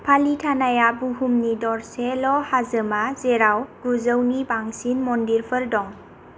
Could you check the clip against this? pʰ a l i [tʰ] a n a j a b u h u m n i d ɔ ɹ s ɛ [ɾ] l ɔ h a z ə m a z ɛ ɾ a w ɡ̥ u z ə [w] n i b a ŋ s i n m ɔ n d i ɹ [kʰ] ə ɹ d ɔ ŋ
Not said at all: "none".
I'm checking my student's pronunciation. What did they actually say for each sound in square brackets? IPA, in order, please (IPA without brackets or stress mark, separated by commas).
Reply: tʰ, none, w, pʰ